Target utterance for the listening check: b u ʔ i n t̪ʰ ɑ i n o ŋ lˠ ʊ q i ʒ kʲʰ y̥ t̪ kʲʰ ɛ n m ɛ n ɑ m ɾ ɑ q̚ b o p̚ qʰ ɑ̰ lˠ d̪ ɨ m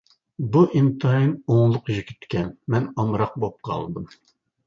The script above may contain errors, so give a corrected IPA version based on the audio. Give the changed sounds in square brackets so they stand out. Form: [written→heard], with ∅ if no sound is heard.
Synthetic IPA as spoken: b u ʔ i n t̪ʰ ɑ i n o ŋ lˠ ʊ q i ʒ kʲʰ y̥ t̪ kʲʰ ɛ n m ɛ n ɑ m ɾ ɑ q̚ b o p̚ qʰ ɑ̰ lˠ d̪ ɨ m